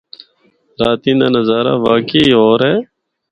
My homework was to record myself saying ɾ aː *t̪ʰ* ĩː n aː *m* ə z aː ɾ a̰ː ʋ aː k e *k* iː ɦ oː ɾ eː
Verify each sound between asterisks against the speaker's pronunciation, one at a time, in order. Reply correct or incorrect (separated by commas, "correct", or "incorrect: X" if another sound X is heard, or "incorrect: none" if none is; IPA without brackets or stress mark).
incorrect: t̪, incorrect: n, incorrect: none